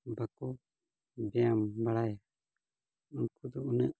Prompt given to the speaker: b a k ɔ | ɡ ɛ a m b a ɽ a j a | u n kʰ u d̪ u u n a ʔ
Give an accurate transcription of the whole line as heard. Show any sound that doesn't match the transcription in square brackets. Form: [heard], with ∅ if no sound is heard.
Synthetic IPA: b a k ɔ | [b] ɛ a m b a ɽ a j a | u n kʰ u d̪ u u n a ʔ